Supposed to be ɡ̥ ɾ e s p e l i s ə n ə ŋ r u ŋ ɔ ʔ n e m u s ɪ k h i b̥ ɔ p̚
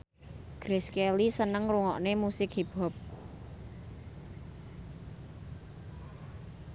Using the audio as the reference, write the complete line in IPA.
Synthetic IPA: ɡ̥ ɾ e s k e l i s ə n ə ŋ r u ŋ ɔ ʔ n e m u s ɪ k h i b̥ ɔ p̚